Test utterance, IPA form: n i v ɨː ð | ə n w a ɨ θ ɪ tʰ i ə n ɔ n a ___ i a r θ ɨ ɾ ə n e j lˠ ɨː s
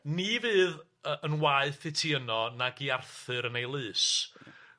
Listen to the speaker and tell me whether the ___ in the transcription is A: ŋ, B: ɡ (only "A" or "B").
B